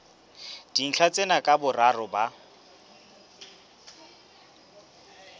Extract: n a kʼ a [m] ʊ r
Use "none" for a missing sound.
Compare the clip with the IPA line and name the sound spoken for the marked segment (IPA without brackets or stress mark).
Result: b